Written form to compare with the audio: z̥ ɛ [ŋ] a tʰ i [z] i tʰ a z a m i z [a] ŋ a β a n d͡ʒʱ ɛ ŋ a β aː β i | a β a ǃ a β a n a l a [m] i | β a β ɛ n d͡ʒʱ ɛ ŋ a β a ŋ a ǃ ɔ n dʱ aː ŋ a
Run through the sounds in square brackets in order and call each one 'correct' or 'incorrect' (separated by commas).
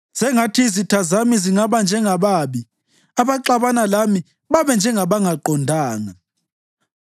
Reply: correct, correct, incorrect, correct